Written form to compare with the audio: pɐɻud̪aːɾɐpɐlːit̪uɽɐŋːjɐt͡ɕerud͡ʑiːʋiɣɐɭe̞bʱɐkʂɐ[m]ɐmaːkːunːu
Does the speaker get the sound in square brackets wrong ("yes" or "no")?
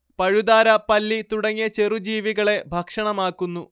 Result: yes